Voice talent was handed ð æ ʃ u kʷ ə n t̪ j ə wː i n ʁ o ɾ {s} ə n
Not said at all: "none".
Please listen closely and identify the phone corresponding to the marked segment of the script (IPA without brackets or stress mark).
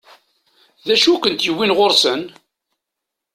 s